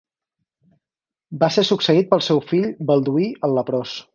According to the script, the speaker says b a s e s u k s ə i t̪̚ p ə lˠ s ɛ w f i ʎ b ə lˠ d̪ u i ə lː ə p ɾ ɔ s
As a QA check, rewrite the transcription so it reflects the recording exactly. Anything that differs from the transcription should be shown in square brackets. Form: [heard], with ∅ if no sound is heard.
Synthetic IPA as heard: b a s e s u k s ə i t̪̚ p ə lˠ s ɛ w f i ʎ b ə lˠ d̪ u i ə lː ə p ɾ ɔ s